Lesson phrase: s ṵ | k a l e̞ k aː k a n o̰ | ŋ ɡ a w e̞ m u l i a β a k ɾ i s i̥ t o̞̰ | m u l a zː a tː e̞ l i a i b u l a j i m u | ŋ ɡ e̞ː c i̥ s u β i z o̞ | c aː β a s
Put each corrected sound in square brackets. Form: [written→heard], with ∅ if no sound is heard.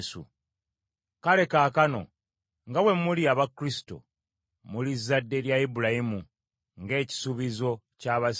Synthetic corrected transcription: s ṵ | k a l e̞ k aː k a n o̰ | ŋ ɡ a w e̞ m u l i a β a k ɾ i s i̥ t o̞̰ | m u l [a→i] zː a [tː→dː] e̞ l [i→j] a i b u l a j i m u | ŋ ɡ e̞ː c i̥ s u β i z o̞ | c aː β a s